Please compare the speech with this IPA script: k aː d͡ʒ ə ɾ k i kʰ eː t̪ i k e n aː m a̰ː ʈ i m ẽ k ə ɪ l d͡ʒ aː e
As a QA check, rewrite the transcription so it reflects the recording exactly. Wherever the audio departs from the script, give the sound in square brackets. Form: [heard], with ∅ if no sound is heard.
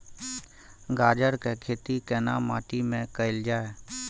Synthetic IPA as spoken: [ɡ] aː d͡ʒ ə ɾ k [e] kʰ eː t̪ i k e n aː m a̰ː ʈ i m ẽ k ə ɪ l d͡ʒ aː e